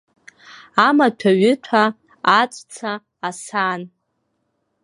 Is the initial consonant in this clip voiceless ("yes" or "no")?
no